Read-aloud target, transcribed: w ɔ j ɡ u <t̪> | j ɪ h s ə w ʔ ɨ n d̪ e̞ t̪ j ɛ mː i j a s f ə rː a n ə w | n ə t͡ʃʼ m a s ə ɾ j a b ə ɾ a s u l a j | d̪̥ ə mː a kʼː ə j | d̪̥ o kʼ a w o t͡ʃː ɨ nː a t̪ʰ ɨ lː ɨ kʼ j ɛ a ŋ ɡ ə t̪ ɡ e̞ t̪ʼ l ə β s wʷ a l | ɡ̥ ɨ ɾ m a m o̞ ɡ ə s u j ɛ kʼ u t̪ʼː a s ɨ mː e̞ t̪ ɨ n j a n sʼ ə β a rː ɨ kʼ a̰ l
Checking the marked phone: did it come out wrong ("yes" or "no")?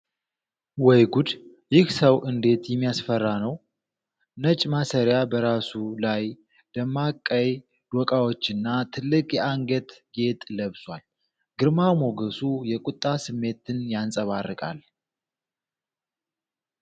yes